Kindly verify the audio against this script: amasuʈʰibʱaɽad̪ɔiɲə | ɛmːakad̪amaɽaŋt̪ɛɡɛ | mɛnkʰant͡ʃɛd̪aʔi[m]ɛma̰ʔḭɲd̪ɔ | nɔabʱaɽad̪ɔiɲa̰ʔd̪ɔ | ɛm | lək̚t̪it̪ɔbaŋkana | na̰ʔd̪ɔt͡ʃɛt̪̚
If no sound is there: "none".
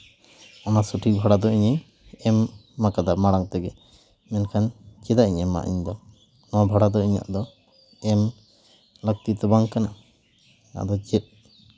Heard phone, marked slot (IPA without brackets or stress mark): ɲ